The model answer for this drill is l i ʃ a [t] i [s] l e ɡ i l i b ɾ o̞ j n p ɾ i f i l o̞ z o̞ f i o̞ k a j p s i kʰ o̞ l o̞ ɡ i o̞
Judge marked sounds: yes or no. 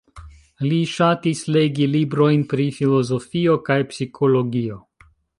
yes, yes

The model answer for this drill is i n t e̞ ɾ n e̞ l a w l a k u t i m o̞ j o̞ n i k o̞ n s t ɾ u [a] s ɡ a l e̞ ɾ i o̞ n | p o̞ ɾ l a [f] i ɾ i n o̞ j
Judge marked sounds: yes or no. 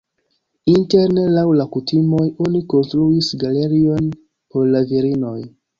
no, no

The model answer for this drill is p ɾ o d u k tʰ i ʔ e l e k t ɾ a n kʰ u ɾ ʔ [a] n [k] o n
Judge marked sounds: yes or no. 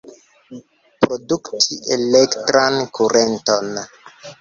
no, no

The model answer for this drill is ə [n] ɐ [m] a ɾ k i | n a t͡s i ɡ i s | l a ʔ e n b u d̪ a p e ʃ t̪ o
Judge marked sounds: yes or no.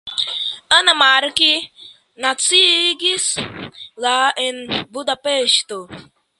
yes, yes

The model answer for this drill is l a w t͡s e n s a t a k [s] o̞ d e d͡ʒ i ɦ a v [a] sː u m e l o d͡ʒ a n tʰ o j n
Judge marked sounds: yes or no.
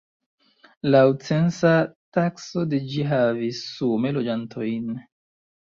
yes, no

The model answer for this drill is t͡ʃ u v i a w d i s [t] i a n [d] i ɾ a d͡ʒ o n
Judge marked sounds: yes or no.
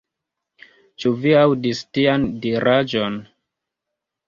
yes, yes

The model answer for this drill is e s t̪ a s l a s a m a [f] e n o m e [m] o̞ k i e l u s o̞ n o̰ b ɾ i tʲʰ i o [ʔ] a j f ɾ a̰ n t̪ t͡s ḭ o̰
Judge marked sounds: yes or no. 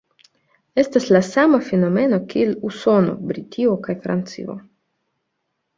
yes, no, no

